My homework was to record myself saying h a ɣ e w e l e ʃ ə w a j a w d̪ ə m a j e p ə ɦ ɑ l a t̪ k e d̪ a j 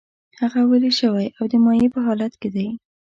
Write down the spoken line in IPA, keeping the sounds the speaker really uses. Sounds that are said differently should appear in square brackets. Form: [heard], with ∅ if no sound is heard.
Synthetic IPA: h a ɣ [a] w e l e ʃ ə w a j a w d̪ ə m [ɑ] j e p ə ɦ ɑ l a t̪ k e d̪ a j